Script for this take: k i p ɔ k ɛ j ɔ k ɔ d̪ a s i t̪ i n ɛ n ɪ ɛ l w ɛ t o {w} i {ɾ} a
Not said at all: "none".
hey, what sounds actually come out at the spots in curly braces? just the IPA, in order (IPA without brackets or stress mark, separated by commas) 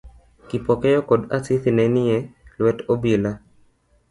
b, l